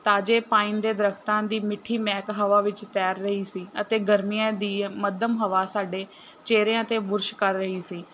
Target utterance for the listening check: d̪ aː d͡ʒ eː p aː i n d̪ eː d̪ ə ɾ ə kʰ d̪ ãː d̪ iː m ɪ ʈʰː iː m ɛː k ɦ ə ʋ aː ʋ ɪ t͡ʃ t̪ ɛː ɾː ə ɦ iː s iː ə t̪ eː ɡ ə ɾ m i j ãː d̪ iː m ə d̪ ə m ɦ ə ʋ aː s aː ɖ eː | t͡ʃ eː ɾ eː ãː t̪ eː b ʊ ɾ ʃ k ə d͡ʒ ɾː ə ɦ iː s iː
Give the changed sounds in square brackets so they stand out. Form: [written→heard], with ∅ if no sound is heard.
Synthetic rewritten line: [d̪→t̪] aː d͡ʒ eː p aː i n d̪ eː d̪ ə ɾ ə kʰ [d̪→t̪] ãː d̪ iː m ɪ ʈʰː iː m ɛː k ɦ ə ʋ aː ʋ ɪ t͡ʃ t̪ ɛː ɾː ə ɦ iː s iː ə t̪ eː ɡ ə ɾ m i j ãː d̪ iː m ə d̪ ə m ɦ ə ʋ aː s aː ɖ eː | t͡ʃ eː ɾ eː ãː t̪ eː b ʊ ɾ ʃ k ə [d͡ʒ→∅] ɾː ə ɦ iː s iː

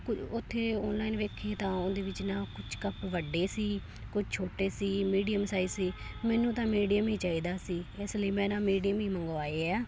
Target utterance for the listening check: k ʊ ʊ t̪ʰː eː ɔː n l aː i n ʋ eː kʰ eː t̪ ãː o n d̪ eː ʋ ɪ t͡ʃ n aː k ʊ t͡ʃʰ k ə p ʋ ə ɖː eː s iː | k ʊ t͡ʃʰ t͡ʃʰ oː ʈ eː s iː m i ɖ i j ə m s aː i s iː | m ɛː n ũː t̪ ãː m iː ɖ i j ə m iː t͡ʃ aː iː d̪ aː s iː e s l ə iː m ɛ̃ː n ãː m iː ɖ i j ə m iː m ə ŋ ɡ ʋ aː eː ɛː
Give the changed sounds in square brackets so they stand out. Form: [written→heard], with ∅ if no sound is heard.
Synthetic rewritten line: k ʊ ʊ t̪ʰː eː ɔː n l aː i n ʋ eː kʰ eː t̪ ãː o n d̪ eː ʋ ɪ t͡ʃ n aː k ʊ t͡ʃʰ k ə p ʋ ə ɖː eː s iː | k ʊ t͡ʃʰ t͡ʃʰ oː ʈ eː s iː m [i→iː] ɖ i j ə m s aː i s iː | m ɛː n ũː t̪ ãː m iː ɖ i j ə m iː t͡ʃ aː iː d̪ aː s iː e s l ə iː m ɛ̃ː n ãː m iː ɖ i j ə m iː m ə ŋ ɡ ʋ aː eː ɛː

